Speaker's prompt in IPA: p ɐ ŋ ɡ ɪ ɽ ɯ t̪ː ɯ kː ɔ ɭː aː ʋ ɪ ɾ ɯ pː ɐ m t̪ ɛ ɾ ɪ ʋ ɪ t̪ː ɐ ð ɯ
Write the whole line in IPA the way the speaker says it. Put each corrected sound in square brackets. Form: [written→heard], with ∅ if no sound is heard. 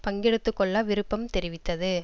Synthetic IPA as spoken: p ɐ ŋ ɡ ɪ ɽ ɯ t̪ː ɯ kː ɔ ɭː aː ʋ ɪ ɾ ɯ pː ɐ m t̪ ɛ ɾ ɪ ʋ ɪ t̪ː ɐ ð ɯ